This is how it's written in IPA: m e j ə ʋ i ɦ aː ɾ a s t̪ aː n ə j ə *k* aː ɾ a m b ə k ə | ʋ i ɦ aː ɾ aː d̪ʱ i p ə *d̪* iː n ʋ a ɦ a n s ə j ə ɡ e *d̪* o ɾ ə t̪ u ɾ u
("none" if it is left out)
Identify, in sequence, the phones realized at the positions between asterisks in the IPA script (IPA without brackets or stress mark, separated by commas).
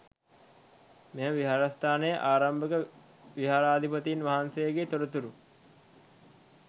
ʔ, t̪, t̪